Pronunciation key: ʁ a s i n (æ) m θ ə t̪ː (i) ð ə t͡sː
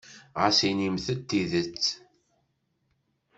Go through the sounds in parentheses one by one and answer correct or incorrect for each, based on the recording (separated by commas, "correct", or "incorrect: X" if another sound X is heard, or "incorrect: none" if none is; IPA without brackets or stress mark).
incorrect: i, correct